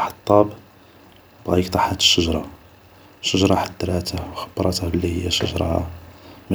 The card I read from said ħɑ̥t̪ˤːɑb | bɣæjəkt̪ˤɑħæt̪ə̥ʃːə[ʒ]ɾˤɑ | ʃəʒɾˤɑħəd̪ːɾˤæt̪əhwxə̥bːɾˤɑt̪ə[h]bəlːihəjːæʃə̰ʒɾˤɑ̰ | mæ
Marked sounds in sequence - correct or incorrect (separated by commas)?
correct, correct